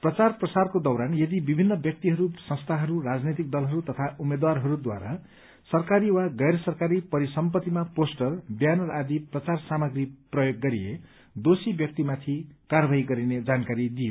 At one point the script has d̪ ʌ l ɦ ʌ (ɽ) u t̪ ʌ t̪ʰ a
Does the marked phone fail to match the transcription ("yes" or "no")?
yes